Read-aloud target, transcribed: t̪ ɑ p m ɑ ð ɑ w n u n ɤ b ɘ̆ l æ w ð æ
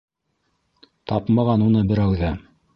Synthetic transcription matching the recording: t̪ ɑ p m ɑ ʁ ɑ n u n ɤ b ɘ̆ ɾ æ w ð æ

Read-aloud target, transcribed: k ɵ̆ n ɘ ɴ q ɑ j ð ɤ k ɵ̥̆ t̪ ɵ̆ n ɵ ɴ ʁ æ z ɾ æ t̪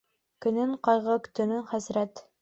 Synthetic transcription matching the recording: k ɵ̆ n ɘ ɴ q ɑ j ʁ ɤ k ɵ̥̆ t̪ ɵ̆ n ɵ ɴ χ æ z ɾ æ t̪

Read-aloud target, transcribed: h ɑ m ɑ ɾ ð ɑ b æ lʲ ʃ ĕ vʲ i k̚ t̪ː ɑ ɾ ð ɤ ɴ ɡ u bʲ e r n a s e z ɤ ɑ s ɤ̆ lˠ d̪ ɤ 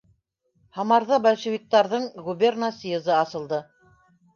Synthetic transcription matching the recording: h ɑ m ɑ ɾ ð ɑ b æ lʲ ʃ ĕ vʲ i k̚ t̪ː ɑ ɾ ð ɤ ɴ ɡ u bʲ e r n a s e z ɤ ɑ s ɤ̆ lˠ d̪ ɤ

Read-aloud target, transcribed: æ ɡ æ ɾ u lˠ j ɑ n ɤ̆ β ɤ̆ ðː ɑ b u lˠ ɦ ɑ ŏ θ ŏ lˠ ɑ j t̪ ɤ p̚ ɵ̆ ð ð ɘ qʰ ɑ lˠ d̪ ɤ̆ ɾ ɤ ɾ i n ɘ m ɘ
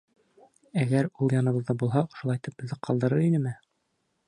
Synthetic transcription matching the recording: æ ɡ æ ɾ u lˠ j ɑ n ɤ̆ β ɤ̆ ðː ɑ b u lˠ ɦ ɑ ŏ ʃ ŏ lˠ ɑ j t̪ ɤ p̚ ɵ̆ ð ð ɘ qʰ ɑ lˠ d̪ ɤ̆ ɾ ɤ ɾ i n ɘ m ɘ

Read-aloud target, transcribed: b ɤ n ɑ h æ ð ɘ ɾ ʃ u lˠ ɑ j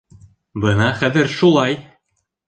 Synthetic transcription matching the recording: b ɤ n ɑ χ æ ð ɘ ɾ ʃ u lˠ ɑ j

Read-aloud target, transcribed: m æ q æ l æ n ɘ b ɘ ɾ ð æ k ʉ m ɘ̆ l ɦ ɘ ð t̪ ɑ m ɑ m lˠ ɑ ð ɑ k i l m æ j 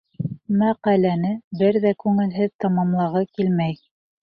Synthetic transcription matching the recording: m æ q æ l æ n ɘ b ɘ ɾ ð æ k ʉ ŋ ɘ̆ l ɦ ɘ ð t̪ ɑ m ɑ m lˠ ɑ ʁ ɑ k i l m æ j

